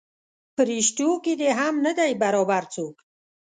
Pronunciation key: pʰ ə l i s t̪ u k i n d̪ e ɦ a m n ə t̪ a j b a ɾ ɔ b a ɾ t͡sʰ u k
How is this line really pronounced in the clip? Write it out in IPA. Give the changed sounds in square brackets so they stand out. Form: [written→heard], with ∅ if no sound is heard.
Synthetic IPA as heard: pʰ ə [l→ɾ] i [s→ʃ] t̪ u k i [n→∅] d̪ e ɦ a m n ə [t̪→d̪] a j b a ɾ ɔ b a ɾ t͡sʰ u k